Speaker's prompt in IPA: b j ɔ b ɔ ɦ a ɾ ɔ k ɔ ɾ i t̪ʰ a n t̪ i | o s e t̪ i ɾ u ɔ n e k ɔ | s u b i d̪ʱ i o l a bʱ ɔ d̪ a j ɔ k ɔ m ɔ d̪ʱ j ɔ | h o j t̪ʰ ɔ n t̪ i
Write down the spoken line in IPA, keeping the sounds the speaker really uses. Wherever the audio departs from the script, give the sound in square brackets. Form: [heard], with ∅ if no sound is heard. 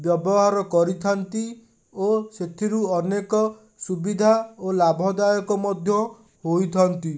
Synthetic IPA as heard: b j ɔ b ɔ ɦ a ɾ ɔ k ɔ ɾ i t̪ʰ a n t̪ i | o s e [t̪ʰ] i ɾ u ɔ n e k ɔ | s u b i d̪ʱ [a] o l a bʱ ɔ d̪ a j ɔ k ɔ m ɔ d̪ʱ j ɔ | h o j t̪ʰ ɔ n t̪ i